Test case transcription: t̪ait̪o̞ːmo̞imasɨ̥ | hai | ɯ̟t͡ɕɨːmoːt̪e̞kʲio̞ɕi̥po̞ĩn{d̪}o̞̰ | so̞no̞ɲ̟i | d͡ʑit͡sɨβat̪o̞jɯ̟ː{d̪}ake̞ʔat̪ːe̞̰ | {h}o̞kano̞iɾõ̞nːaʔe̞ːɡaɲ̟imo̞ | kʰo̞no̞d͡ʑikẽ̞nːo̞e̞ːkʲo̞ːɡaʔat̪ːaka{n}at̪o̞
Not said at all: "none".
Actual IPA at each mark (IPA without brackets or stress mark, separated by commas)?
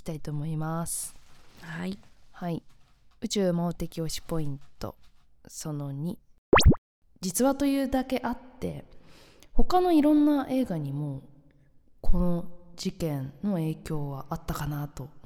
t̪, d̪, h, n